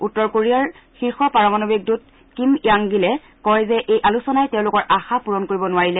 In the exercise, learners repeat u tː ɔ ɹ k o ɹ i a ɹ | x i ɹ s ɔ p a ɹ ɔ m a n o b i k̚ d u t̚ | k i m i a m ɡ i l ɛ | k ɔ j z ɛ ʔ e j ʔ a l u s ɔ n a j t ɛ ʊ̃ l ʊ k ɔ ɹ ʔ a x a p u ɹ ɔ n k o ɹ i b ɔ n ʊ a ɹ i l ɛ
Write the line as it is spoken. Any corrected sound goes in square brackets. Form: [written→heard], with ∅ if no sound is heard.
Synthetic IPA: u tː ɔ ɹ k o ɹ i a ɹ | x i ɹ [s→x] ɔ p a ɹ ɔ m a n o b i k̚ d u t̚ | k i m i a [m→ŋ] ɡ i l ɛ | k ɔ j z ɛ ʔ e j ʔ a l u s ɔ n a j t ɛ ʊ̃ l ʊ k ɔ ɹ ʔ a x a p u ɹ ɔ n k o ɹ i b ɔ n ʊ a ɹ i l ɛ